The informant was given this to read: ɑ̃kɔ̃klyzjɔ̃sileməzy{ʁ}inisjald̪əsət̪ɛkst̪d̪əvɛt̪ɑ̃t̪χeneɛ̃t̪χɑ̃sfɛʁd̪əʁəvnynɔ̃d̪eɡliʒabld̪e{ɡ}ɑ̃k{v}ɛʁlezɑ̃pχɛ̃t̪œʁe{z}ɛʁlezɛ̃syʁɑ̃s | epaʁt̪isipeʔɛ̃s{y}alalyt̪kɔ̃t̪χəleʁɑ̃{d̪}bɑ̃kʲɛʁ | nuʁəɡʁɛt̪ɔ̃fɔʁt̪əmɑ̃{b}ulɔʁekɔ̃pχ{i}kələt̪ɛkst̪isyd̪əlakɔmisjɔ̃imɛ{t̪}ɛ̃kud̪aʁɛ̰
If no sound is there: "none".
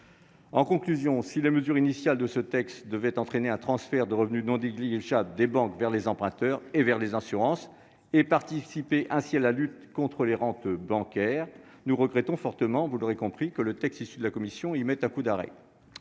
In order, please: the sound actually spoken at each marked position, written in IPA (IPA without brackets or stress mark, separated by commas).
ʁ, b, v, v, i, t̪, v, i, t̪